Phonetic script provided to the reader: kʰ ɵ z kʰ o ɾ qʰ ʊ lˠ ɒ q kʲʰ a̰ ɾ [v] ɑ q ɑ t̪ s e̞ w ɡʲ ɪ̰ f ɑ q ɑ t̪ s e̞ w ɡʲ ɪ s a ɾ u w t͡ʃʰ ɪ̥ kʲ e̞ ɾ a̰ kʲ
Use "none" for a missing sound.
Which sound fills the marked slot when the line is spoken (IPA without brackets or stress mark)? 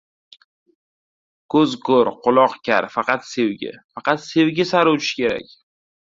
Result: f